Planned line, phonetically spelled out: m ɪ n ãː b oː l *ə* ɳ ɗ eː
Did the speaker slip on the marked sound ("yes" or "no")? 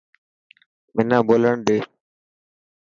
no